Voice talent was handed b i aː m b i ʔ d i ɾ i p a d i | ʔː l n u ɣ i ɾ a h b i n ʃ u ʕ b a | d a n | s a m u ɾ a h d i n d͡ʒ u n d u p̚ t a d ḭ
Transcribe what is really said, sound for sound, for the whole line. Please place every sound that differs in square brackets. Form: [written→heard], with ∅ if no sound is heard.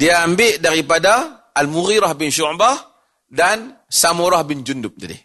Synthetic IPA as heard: [b→d] i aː m b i ʔ d [i→a] ɾ i p a d [i→a] | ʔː l [n→m] u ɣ i ɾ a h b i n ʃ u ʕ b a | d a n | s a m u ɾ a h [d→b] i n d͡ʒ u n d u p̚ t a d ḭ